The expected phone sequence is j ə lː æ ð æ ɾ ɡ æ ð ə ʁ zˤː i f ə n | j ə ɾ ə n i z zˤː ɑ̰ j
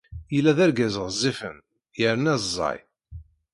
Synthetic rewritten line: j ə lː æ ð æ ɾ ɡ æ z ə ʁ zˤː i f ə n | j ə ɾ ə n æ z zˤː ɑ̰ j

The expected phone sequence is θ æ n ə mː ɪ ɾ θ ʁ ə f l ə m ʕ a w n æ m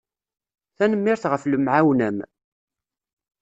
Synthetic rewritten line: θ æ n ə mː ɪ ɾ θ ʁ ə f l ə m ʕ a w n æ m

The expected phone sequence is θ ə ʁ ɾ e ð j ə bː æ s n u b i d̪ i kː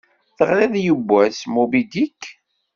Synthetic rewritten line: θ ə ʁ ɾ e ð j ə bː æ s m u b i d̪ i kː

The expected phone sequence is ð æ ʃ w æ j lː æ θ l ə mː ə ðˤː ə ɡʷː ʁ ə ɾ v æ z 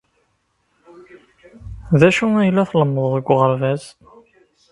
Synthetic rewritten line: ð æ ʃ u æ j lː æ θ l ə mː ə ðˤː ə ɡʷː ʁ ə ɾ v æ z

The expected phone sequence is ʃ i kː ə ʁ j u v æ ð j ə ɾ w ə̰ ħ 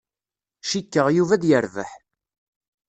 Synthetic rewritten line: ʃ i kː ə ʁ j u v æ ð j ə ɾ v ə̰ ħ

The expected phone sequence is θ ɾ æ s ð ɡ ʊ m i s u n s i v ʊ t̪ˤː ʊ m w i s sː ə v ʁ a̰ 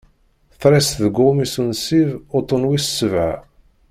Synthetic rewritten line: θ ɾ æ s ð ɡ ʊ m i s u n s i v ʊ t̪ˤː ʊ n w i s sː ə v ʕ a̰

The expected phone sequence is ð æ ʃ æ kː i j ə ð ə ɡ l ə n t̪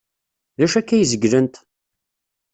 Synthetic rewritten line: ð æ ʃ æ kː æ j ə z ə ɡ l ə n t̪

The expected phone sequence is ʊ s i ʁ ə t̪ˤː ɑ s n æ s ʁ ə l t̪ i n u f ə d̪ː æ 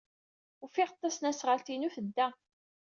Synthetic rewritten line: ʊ f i ʁ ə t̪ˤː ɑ s n æ s ʁ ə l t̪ i n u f ə d̪ː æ

